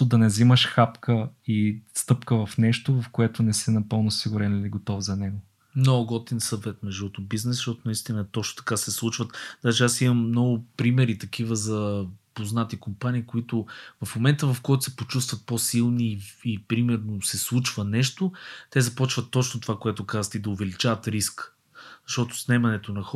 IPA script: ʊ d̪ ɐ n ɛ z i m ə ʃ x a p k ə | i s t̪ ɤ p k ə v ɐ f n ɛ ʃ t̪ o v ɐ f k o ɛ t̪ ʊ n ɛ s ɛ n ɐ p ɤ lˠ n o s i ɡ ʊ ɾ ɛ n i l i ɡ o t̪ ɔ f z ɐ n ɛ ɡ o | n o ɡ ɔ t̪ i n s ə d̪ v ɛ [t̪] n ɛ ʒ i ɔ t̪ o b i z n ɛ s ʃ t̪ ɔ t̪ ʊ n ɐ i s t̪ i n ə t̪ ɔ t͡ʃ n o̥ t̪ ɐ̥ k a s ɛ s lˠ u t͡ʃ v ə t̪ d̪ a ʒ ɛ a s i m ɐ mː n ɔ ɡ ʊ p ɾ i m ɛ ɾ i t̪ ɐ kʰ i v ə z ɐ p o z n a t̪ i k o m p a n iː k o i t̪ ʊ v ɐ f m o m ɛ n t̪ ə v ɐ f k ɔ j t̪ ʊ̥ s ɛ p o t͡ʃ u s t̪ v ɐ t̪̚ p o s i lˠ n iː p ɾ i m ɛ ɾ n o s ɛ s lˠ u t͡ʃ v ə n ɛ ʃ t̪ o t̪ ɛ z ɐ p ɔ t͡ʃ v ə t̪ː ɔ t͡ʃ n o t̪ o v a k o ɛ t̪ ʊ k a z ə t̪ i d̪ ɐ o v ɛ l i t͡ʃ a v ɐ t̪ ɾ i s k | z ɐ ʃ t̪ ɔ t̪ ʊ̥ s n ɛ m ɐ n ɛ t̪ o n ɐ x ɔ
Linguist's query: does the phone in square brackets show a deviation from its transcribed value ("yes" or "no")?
no